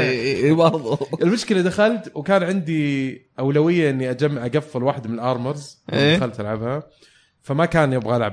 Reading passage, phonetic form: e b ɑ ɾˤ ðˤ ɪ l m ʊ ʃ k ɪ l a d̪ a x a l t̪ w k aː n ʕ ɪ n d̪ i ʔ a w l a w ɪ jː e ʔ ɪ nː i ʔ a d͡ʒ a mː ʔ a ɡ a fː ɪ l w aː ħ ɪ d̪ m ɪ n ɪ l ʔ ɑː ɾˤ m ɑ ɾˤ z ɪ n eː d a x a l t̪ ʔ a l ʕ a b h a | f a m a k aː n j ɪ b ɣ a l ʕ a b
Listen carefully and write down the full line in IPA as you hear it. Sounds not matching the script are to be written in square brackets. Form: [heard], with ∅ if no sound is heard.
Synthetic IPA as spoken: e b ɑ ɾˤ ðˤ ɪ l m ʊ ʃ k ɪ l a d̪ a x a l t̪ w k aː n ʕ ɪ n d̪ i ʔ a w l a w ɪ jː [a] ʔ ɪ nː i ʔ a d͡ʒ a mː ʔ a ɡ a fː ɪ l w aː ħ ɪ d̪ m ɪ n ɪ l ʔ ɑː ɾˤ m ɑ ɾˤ z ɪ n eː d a x a l t̪ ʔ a l ʕ a b h a | f a m a k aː n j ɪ b ɣ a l ʕ a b